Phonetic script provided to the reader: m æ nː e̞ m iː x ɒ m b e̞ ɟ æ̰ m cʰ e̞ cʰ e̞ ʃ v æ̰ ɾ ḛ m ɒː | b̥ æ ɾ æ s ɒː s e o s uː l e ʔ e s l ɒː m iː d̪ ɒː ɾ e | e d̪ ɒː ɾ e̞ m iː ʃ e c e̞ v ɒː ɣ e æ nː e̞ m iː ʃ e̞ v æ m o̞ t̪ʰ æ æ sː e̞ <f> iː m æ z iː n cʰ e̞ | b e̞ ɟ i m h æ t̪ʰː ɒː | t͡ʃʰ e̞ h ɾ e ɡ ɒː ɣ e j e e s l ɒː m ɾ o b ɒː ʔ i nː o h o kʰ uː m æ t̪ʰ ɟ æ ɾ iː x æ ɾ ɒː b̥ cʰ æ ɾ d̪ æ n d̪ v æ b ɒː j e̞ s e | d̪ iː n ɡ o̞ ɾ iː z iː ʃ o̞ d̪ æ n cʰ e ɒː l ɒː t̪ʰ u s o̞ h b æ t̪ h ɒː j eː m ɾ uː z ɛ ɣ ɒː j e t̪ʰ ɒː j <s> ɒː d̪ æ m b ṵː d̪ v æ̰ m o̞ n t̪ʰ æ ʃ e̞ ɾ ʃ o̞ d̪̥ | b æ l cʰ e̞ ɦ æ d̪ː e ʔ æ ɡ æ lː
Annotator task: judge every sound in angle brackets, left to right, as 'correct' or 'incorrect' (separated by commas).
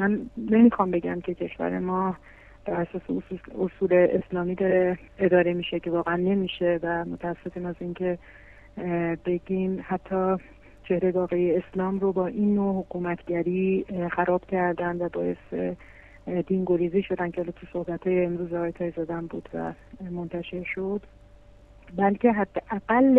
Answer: correct, incorrect